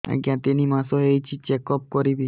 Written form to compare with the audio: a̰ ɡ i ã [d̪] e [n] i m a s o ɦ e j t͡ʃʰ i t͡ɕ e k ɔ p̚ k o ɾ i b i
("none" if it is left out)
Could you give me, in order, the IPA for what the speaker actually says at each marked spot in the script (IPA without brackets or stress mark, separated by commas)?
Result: t̪, n